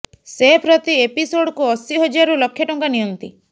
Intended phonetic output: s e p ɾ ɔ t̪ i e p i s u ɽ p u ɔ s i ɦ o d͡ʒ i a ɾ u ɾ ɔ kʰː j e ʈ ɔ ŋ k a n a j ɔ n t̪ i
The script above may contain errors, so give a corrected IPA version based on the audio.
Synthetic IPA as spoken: s e p ɾ ɔ t̪ i e p i s o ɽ k u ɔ s i ɦ o d͡ʒ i a ɾ u l ɔ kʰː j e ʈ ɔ ŋ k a n i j ɔ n t̪ i